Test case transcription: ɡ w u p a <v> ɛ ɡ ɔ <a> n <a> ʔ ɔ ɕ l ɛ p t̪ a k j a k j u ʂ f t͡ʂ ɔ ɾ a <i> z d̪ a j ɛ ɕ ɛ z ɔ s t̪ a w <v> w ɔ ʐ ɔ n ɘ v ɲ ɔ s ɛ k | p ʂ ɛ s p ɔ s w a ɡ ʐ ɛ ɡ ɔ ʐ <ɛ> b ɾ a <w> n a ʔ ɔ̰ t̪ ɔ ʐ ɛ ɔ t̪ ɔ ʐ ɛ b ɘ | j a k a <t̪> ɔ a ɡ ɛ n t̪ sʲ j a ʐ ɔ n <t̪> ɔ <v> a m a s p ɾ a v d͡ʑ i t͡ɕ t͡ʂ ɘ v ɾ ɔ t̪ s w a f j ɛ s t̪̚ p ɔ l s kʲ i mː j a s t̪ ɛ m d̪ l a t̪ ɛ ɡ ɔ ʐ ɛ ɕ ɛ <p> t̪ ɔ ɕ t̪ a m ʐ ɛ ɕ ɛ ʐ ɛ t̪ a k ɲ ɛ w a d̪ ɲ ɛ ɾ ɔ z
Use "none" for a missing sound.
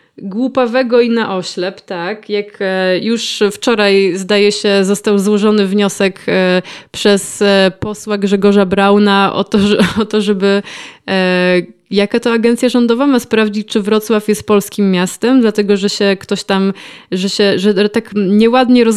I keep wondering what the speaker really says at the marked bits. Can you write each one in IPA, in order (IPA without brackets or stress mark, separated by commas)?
v, i, a, j, z, a, w, t̪, d̪, v, k